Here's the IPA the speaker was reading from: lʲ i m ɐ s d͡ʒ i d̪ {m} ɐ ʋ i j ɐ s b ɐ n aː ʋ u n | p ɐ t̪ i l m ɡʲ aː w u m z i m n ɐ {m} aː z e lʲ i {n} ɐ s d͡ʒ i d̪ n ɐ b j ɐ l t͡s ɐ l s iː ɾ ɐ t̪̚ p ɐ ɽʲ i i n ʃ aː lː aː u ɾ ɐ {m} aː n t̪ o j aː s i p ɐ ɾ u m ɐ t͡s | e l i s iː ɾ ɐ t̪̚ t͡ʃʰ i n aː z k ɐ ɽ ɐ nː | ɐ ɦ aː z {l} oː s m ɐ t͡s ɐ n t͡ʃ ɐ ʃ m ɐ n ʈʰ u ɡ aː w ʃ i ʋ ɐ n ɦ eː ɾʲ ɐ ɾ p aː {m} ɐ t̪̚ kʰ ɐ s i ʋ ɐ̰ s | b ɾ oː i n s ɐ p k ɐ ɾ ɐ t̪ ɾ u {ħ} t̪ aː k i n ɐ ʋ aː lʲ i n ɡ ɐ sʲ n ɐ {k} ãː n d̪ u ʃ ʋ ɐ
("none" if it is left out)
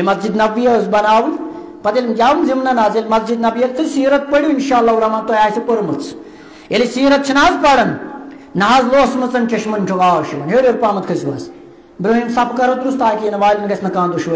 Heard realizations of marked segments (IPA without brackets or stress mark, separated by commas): n, n, m, m, l, m, s, k